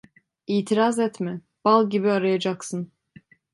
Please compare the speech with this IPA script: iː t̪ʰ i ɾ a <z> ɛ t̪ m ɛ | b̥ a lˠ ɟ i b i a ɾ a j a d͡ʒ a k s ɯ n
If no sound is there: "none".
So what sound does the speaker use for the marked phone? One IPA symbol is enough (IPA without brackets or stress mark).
z